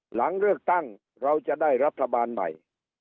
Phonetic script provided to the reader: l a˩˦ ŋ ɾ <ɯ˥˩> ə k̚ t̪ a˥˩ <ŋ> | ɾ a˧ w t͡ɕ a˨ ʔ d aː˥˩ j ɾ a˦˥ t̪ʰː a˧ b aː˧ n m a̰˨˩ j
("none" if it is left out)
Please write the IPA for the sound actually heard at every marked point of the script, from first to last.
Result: ɯ˥˩, ŋ

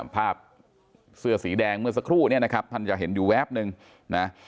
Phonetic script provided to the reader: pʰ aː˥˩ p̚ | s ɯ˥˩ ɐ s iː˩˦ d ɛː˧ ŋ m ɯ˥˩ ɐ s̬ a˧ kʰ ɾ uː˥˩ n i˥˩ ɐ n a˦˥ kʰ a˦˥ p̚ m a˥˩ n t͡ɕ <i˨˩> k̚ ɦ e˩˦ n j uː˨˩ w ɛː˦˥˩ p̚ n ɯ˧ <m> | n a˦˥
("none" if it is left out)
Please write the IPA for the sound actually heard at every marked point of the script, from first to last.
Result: a˨˩, ŋ

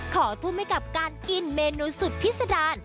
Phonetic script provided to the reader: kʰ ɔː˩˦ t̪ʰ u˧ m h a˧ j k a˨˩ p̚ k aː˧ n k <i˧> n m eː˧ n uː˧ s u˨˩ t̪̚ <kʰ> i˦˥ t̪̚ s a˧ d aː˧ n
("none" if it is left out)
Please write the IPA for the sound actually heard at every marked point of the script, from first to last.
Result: i˧, pʰ

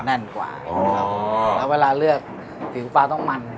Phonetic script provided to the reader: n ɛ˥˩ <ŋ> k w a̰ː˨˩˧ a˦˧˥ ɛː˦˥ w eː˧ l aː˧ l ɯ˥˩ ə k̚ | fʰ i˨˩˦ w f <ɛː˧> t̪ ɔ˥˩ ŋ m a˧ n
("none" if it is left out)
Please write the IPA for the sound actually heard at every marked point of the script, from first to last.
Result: n, aː˧

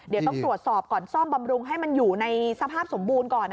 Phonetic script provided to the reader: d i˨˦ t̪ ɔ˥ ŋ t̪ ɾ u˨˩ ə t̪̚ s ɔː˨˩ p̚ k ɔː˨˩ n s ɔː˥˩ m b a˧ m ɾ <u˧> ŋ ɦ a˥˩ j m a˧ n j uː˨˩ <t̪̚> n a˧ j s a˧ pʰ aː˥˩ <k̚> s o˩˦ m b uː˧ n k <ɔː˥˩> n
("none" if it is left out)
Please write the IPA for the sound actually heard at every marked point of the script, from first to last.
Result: u˧, none, p̚, ɔː˨˩

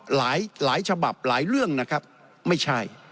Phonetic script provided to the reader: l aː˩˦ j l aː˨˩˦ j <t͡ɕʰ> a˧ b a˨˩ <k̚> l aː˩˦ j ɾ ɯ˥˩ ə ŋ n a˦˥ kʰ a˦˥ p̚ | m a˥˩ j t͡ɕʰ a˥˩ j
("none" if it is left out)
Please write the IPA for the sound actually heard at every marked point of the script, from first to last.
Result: t͡ɕʰ, p̚

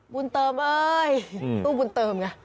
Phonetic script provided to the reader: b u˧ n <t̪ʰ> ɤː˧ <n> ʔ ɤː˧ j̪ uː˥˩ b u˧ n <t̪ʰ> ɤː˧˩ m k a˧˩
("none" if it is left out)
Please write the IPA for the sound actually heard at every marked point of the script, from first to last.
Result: t̪, m, t̪

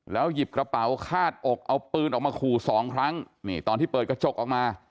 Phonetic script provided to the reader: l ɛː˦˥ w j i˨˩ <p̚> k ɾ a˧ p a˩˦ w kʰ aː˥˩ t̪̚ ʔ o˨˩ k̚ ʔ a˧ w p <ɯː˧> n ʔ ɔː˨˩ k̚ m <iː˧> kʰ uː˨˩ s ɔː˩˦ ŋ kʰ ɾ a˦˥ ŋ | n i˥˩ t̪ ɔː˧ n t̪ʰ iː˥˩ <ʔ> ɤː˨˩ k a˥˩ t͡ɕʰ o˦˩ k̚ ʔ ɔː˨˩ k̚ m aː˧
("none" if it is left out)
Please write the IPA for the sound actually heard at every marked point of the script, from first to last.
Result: p̚, ɯː˧, aː˧, p

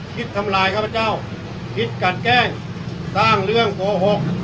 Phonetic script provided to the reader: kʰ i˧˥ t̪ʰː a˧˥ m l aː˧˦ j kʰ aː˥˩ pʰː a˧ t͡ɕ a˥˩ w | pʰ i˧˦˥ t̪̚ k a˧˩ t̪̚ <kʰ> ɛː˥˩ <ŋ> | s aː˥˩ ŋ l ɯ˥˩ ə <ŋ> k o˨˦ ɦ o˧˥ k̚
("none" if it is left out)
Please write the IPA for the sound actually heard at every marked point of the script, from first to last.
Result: k, ŋ, ŋ

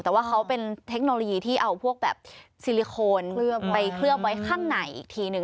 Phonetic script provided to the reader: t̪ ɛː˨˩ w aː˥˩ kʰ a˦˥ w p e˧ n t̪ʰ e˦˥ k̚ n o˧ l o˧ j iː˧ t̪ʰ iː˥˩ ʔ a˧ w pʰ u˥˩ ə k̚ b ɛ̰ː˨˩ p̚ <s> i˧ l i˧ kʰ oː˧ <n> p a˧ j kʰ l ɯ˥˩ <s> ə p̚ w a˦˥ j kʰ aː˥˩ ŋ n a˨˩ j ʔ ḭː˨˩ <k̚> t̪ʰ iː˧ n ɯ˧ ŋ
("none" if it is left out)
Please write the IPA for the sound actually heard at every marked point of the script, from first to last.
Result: s, n, none, k̚

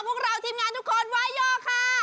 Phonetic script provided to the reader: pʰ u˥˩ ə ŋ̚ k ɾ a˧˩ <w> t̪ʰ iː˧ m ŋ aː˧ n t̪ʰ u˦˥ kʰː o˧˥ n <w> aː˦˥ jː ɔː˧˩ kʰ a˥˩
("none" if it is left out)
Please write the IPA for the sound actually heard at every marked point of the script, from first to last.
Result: w, w

